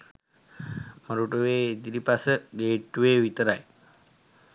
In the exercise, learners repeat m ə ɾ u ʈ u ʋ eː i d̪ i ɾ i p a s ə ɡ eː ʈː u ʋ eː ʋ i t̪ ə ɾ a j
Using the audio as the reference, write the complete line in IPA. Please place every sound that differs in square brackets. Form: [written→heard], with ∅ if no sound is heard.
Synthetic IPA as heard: m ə ɾ u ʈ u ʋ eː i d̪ i ɾ i p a s ə ɡ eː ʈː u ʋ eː ʋ i t̪ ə ɾ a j